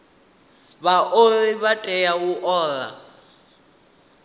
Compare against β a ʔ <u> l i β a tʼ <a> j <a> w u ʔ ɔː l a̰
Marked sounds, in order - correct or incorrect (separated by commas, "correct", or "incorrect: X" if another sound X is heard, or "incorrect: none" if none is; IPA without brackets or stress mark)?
incorrect: o, incorrect: ɛ, correct